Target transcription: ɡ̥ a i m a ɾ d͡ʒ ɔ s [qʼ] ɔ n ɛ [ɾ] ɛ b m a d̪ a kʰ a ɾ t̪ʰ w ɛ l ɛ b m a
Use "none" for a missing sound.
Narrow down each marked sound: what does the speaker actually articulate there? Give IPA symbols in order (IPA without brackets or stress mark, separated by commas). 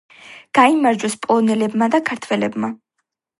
pʼ, l